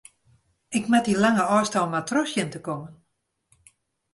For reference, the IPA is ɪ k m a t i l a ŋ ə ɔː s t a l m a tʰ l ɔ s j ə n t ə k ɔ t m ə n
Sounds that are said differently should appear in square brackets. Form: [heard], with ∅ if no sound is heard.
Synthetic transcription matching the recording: ɪ k m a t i l a ŋ ə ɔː s t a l m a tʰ [r] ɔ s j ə n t ə k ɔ [∅] m ə n